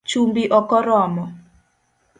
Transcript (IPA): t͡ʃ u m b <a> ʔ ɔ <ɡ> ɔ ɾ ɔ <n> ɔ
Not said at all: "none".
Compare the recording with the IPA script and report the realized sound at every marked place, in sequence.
i, k, m

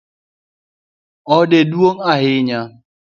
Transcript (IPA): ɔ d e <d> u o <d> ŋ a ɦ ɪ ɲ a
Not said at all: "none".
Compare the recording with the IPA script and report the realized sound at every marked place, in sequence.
d, none

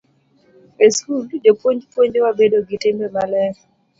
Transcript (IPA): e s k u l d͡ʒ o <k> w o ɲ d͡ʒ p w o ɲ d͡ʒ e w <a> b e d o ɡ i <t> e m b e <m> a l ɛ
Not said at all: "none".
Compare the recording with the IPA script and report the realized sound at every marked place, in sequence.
p, a, t, m

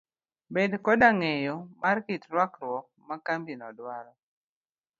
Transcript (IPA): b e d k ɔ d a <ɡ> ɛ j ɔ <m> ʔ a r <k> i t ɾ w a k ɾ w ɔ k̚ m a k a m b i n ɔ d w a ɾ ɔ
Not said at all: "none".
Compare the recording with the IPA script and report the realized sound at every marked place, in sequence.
ŋ, m, k

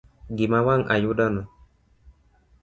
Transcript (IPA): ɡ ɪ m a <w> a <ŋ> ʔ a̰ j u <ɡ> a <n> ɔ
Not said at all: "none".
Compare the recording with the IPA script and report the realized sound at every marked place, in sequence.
w, ŋ, d, n

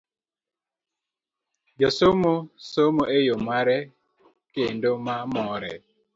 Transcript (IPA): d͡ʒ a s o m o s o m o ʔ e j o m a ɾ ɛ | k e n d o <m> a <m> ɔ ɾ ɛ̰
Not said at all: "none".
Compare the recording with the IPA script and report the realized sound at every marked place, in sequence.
m, m

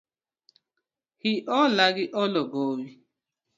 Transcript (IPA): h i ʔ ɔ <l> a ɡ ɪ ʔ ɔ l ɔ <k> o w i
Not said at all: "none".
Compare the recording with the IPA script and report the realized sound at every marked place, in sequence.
l, ɡ

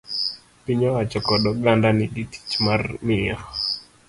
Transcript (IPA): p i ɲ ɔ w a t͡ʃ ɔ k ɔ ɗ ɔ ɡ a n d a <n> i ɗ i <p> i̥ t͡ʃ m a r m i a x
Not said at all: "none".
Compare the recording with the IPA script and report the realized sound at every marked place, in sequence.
n, t

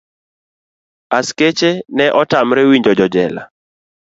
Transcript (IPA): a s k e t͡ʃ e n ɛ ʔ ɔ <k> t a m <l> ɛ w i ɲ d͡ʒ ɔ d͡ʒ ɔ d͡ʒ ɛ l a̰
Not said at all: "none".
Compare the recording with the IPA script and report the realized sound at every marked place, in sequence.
none, ɾ

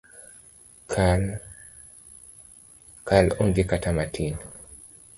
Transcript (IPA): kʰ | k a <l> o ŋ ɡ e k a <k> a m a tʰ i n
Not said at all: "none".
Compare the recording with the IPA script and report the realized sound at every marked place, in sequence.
l, t

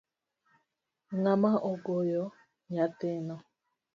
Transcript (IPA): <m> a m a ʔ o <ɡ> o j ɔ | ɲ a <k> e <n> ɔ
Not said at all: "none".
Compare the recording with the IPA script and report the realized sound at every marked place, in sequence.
ŋ, ɡ, t, n

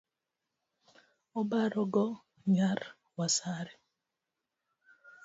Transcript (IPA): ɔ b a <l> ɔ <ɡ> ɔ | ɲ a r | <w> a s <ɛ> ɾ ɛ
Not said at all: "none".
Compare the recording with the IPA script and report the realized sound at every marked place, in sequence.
ɾ, ɡ, w, a

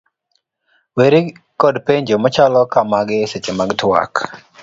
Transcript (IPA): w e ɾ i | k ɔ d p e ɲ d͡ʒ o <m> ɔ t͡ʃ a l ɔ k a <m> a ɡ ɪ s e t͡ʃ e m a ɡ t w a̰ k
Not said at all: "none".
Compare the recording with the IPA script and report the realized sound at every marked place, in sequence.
m, m

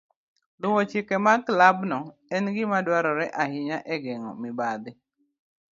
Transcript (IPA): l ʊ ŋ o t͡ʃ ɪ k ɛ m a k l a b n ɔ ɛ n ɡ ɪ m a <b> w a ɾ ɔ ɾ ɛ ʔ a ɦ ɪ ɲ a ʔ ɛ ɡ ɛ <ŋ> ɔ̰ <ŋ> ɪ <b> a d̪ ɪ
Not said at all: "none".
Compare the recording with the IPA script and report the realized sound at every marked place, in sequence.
d, ŋ, m, b

